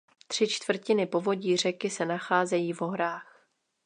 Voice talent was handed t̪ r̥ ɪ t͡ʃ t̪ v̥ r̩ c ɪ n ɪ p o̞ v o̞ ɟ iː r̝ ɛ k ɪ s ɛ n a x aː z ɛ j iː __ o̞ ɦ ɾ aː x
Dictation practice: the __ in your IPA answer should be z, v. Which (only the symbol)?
v